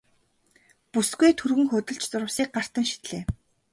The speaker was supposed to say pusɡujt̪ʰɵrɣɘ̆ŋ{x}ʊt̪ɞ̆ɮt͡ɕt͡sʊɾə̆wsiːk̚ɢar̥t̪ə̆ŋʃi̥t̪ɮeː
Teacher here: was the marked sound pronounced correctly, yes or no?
yes